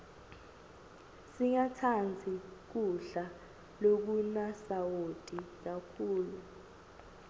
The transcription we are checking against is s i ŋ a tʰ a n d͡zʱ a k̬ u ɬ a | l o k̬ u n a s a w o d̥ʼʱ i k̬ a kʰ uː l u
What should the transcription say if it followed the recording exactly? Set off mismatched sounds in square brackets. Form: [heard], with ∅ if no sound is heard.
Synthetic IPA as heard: s i ŋ a tʰ a n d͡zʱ [i] k̬ u ɬ a | l o k̬ u n a s a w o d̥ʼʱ i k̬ a kʰ uː l u